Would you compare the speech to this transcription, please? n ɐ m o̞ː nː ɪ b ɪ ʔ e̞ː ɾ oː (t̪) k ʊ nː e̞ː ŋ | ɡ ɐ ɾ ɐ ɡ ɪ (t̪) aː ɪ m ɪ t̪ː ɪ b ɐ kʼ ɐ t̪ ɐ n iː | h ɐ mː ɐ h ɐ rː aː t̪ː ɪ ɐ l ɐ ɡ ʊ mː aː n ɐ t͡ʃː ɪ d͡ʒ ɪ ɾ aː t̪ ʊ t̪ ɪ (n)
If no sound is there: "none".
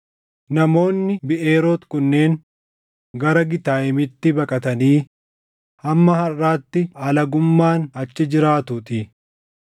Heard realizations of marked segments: t̪, t̪, none

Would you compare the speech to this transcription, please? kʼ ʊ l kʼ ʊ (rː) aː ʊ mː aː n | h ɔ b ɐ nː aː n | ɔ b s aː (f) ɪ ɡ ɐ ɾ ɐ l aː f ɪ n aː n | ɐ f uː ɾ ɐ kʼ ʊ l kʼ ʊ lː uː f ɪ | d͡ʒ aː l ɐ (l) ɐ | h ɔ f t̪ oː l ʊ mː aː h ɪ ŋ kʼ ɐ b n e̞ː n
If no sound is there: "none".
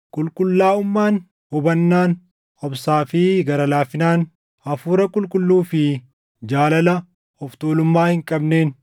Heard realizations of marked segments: lː, f, l

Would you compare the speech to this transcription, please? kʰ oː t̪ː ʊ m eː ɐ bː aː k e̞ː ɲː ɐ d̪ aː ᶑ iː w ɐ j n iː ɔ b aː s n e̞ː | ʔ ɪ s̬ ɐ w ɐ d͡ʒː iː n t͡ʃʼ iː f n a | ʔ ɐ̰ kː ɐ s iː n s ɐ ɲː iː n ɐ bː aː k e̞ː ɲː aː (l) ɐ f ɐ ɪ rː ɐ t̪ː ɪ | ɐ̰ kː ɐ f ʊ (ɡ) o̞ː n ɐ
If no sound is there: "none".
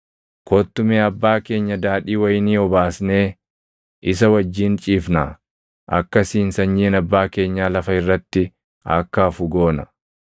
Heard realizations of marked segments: l, ɡ

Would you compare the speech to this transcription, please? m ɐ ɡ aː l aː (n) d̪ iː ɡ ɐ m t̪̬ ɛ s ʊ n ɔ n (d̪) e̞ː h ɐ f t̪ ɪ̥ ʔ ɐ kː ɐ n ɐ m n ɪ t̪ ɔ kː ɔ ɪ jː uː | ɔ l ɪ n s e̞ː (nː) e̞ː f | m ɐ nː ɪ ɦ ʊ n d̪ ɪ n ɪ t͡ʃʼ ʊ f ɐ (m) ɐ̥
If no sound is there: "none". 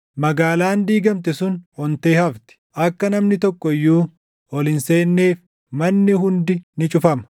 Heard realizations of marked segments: n, t̪, nː, m

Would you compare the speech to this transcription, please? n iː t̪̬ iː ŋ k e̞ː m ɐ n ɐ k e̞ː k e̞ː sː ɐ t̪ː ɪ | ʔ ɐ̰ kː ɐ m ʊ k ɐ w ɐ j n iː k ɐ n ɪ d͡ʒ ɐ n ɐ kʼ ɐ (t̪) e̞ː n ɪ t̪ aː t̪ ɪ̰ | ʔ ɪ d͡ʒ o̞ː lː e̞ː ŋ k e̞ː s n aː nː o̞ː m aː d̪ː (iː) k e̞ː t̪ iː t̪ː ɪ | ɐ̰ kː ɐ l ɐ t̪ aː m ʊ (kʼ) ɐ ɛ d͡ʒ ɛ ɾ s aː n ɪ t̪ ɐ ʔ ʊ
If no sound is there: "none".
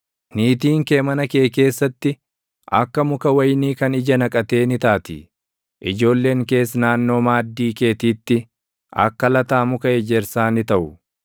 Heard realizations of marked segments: t̪, iː, k

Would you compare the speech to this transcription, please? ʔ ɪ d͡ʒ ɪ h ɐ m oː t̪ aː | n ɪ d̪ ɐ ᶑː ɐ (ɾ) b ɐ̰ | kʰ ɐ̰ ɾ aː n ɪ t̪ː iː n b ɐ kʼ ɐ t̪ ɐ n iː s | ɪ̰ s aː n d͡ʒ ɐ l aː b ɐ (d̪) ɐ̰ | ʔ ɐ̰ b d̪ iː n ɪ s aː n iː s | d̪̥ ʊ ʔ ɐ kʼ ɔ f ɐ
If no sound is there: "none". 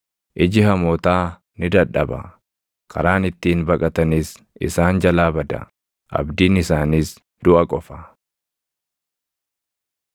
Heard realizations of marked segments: none, d̪

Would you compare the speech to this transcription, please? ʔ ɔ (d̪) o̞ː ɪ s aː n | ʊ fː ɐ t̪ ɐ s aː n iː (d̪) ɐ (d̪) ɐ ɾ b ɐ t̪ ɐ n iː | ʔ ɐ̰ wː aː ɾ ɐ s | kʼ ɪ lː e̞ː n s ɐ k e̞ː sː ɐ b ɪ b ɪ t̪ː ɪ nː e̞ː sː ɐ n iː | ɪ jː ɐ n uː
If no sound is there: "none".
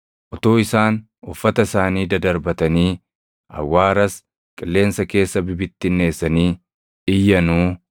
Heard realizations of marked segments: t̪, d̪, d̪

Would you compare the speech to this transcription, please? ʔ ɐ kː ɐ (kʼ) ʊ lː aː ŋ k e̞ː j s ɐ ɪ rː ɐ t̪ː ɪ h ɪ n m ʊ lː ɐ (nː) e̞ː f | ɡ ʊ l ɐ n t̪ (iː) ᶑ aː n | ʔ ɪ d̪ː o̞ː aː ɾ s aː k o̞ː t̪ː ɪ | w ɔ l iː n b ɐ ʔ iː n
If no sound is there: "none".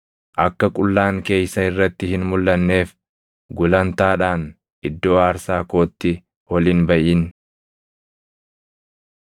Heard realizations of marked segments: kʼ, nː, aː

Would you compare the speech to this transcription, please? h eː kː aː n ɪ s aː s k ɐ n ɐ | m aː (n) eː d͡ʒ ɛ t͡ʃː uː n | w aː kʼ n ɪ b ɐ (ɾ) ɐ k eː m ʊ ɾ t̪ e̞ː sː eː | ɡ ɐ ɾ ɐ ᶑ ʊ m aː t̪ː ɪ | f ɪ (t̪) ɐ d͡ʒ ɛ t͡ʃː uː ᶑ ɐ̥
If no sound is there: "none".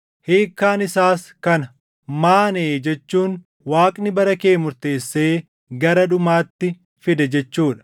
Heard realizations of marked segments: n, ɾ, d̪

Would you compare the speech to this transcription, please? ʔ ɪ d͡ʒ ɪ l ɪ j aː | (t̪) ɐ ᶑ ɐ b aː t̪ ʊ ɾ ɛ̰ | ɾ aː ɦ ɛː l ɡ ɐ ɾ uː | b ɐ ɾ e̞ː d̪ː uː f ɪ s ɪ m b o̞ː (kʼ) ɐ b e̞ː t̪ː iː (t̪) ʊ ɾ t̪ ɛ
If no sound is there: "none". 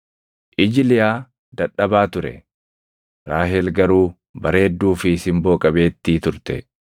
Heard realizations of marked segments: d̪, kʼ, t̪

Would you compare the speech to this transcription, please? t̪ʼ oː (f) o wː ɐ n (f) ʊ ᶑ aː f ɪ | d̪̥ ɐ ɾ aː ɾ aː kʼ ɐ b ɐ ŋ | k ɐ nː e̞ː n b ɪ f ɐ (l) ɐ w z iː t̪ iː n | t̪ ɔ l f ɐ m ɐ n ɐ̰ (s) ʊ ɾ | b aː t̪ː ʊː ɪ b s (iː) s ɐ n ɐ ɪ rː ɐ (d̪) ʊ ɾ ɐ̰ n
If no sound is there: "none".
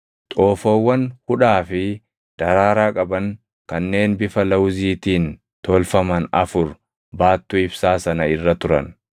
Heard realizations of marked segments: f, h, l, f, aː, t̪

